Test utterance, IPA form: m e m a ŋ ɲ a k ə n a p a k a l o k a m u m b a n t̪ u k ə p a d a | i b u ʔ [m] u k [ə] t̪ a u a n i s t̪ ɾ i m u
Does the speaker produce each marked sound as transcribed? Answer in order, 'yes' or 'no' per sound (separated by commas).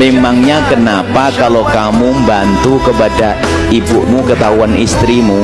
yes, yes